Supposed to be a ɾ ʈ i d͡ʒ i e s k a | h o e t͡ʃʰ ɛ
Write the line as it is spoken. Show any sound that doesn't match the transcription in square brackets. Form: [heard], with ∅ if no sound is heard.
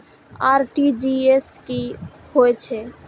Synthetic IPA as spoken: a ɾ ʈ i d͡ʒ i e s k [i] | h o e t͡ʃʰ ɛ